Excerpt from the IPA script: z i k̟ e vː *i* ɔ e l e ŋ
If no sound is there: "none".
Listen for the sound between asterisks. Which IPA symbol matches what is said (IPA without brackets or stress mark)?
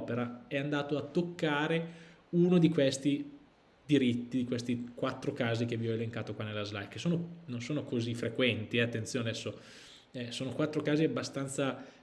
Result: i